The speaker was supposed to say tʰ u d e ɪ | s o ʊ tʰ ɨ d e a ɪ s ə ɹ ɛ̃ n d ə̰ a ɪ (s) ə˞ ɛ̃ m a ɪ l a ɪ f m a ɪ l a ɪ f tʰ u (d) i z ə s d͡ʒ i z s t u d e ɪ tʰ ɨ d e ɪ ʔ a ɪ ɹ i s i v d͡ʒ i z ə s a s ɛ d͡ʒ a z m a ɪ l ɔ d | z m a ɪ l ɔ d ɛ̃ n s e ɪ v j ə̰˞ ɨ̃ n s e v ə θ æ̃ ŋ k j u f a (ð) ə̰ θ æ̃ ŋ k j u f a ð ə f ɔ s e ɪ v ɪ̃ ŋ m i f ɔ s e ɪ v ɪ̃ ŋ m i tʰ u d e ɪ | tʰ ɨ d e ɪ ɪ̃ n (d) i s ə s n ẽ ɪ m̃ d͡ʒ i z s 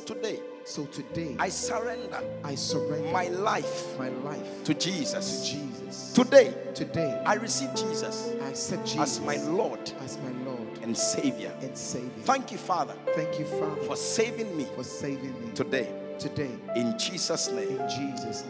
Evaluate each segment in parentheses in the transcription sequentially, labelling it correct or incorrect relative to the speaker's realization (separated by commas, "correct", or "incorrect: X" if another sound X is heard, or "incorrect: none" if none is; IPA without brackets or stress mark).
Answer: correct, incorrect: d͡ʒ, correct, incorrect: d͡ʒ